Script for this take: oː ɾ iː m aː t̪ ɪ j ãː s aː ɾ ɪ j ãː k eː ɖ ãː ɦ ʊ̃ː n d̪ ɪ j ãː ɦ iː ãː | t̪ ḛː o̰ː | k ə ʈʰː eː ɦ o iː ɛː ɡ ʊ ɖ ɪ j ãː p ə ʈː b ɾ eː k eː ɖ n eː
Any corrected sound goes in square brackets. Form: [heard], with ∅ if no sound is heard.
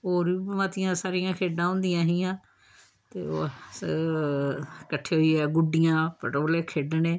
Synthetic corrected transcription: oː ɾ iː m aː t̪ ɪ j ãː s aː ɾ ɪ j ãː [kʰ] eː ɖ ãː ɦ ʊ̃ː n d̪ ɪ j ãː ɦ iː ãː | t̪ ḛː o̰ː | k ə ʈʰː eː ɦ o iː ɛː ɡ ʊ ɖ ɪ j ãː p ə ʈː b [l] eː [kʰ] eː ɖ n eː

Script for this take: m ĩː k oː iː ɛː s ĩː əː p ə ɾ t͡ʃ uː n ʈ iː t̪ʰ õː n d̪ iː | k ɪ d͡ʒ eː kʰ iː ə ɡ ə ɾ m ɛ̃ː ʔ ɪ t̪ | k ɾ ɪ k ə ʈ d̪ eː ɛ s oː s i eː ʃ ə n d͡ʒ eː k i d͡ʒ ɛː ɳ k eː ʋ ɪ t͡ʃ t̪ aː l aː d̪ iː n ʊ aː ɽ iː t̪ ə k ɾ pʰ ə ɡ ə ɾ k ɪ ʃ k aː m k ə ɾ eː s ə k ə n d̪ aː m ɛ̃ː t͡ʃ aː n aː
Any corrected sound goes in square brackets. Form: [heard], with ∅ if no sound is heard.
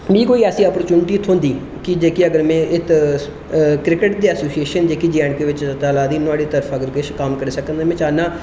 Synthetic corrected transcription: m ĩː k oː iː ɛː s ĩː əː p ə ɾ t͡ʃ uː n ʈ iː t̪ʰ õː n d̪ iː | k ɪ d͡ʒ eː [k] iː ə ɡ ə ɾ m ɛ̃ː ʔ ɪ t̪ | k ɾ ɪ k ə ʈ d̪ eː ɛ s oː s i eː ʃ ə n d͡ʒ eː k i d͡ʒ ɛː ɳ k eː ʋ ɪ t͡ʃ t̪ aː l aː d̪ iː n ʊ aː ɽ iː t̪ ə [∅] ɾ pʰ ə ɡ ə ɾ k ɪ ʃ k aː m k ə ɾ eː s ə k ə n d̪ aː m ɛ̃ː t͡ʃ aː n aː

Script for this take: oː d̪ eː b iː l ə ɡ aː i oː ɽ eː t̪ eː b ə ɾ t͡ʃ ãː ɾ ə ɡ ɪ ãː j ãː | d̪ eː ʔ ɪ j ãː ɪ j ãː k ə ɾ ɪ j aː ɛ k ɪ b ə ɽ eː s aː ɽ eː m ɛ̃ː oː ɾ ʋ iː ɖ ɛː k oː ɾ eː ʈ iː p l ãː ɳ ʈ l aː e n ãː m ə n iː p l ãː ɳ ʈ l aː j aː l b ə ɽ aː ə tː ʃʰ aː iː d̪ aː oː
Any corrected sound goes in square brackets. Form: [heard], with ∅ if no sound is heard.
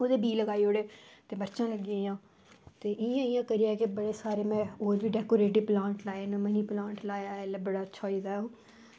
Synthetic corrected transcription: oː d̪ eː b iː l ə ɡ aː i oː ɽ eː t̪ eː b ə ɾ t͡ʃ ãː [l] ə ɡ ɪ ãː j ãː | [t̪] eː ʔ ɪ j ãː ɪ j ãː k ə ɾ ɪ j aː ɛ k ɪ b ə ɽ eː s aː [ɾ] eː m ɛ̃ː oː ɾ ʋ iː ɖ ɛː k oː ɾ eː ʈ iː p l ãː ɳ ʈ l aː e n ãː m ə n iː p l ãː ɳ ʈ l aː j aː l b ə ɽ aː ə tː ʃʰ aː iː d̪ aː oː

